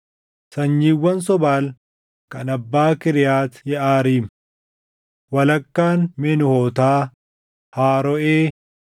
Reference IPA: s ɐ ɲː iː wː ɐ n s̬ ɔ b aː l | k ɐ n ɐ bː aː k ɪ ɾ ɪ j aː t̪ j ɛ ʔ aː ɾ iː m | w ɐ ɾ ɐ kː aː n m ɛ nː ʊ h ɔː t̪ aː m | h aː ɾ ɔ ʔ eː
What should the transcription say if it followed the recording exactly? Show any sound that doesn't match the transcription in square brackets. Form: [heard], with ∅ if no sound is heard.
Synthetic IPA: s ɐ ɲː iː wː ɐ n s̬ ɔ b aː l | k ɐ n ɐ bː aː k ɪ ɾ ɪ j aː t̪ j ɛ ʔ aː ɾ iː m | w ɐ [l] ɐ kː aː n m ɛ [n] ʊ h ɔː t̪ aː [∅] | h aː ɾ ɔ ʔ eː